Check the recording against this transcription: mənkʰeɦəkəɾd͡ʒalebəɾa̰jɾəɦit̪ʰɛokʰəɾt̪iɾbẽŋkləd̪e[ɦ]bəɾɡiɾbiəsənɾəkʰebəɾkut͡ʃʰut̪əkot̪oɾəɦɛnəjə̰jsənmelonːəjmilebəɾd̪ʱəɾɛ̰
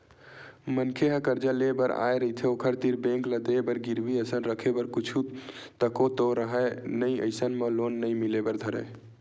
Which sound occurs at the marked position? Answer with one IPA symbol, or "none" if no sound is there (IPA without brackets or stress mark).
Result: none